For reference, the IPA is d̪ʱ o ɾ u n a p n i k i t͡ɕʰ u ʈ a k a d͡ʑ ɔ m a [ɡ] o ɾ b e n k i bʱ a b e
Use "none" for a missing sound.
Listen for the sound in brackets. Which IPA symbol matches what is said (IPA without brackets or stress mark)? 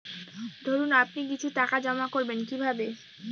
k